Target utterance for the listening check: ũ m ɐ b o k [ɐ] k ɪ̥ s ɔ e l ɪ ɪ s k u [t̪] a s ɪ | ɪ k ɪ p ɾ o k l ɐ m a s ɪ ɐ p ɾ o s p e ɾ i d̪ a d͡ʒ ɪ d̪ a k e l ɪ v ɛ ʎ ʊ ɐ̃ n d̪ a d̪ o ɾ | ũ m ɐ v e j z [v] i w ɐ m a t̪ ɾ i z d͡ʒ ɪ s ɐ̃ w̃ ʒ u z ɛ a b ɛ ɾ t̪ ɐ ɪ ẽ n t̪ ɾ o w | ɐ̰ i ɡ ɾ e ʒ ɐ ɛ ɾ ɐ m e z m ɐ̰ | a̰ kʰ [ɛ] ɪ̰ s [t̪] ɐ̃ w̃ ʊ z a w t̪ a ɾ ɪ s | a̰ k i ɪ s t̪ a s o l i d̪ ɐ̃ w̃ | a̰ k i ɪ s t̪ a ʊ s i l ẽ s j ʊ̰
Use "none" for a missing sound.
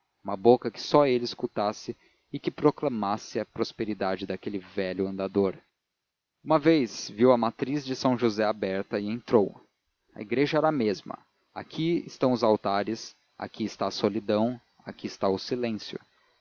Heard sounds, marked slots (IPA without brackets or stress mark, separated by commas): ɐ, t̪, v, i, t̪